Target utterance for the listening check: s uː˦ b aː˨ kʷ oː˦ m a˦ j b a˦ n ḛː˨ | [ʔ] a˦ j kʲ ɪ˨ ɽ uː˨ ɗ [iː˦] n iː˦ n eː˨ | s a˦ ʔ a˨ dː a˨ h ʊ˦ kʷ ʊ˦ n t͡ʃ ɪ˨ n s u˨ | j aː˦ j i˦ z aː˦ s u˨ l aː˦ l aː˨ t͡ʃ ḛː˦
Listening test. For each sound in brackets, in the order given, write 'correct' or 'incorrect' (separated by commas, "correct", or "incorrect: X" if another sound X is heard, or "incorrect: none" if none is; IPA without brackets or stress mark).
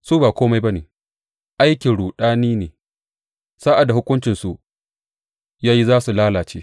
correct, incorrect: aː˦